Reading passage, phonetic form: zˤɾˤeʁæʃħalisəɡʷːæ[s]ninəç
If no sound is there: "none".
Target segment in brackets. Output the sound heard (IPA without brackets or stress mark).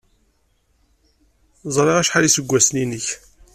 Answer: s